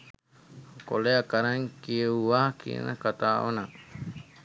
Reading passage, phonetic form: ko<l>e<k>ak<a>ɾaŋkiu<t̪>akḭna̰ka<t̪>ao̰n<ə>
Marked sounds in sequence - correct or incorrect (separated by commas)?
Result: correct, incorrect, correct, incorrect, correct, incorrect